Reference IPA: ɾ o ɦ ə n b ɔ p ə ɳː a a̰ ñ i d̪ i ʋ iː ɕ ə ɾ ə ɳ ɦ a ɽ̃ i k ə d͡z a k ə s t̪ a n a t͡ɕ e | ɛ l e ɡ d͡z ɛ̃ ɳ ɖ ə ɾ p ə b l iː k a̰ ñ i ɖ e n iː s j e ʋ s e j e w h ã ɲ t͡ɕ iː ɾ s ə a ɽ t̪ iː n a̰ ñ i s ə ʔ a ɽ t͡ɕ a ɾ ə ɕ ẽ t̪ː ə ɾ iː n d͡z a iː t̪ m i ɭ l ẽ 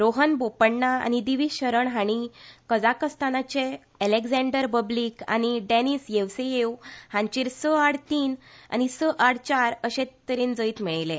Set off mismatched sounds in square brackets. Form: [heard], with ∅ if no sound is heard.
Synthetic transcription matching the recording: ɾ o ɦ ə n b [o] p ə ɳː a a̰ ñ i d̪ i ʋ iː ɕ ə ɾ ə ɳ ɦ a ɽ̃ i k ə d͡z a k ə s t̪ a n a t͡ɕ e | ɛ l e ɡ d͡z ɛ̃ ɳ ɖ ə ɾ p ə b l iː k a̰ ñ i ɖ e n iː s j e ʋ s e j e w h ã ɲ t͡ɕ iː ɾ s ə a ɽ t̪ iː n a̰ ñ i s ə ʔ a ɽ t͡ɕ a ɾ ə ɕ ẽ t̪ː ə ɾ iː n d͡z [ə] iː t̪ m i ɭ l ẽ